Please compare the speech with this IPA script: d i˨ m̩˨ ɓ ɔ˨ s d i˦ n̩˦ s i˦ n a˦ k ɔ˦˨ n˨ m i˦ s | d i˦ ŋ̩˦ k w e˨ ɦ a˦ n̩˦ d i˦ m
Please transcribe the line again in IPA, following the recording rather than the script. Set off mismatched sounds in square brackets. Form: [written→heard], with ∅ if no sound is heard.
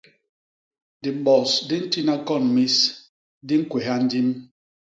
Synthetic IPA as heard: d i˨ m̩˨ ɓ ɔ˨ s d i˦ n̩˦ [s→t] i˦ n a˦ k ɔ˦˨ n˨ m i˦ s | d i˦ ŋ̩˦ k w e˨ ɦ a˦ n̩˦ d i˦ m